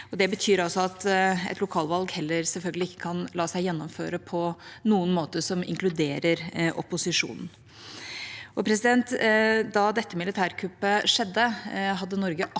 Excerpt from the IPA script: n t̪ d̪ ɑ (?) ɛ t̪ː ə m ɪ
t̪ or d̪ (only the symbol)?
d̪